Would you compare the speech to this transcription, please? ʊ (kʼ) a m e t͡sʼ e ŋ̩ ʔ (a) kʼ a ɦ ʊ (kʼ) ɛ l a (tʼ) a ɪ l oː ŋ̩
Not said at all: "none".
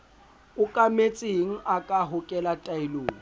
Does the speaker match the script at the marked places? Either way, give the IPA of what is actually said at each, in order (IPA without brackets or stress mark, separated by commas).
kʼ, a, kʼ, tʼ